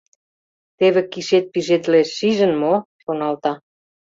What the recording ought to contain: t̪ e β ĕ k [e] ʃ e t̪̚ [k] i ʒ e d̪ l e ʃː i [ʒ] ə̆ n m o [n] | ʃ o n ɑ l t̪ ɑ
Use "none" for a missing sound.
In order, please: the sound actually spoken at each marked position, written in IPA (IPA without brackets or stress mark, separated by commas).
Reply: i, p, ʒ, none